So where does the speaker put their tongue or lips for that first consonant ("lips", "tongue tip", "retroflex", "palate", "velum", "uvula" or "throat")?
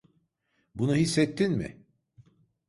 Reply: lips